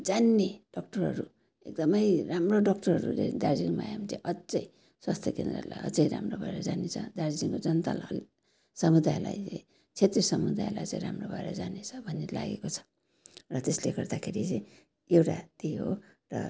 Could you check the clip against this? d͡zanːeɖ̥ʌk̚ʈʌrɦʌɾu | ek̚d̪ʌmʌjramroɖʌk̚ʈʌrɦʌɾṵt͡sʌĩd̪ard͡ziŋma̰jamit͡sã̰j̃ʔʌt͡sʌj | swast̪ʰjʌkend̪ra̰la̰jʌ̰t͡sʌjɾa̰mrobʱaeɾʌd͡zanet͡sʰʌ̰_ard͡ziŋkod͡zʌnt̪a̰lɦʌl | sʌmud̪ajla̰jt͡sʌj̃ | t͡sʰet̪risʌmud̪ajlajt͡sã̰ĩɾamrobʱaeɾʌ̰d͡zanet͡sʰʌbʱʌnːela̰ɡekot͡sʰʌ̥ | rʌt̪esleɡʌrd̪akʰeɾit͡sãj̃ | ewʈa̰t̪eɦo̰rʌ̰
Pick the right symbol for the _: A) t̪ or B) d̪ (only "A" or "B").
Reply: B